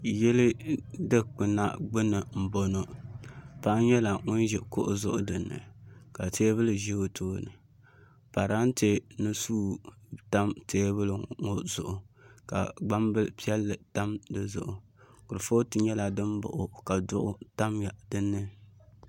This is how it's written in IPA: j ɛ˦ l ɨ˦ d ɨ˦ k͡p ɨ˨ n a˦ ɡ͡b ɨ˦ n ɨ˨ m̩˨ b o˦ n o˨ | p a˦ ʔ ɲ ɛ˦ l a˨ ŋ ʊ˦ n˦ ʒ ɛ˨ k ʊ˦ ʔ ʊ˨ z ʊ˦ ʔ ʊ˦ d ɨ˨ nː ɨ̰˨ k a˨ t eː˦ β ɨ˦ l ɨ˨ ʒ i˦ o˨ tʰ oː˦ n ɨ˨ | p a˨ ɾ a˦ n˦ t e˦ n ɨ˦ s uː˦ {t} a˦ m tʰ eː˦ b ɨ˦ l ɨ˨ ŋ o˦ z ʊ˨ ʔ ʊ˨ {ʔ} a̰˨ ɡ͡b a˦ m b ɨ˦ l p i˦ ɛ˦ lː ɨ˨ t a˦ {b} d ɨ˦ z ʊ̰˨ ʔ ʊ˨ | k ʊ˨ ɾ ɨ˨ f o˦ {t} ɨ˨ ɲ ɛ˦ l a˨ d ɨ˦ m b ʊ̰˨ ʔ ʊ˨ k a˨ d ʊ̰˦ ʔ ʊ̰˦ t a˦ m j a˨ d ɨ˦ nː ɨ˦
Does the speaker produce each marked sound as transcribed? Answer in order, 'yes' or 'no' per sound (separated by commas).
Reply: yes, no, no, yes